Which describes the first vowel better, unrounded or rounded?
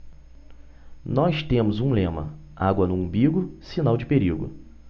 rounded